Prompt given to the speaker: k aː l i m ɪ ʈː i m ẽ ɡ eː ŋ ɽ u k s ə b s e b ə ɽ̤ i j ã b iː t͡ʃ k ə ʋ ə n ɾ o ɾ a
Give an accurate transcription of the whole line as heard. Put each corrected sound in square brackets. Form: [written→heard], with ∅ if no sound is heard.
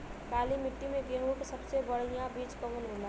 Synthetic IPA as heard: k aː l i m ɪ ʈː i m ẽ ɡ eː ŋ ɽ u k s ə b s e b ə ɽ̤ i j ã b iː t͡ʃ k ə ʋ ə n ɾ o [ɾ→l] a